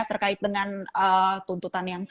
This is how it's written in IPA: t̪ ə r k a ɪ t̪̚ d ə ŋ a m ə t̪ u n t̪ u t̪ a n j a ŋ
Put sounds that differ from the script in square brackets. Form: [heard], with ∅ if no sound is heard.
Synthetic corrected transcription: t̪ ə r k a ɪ t̪̚ d ə ŋ a [n] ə t̪ u n t̪ u t̪ a n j a ŋ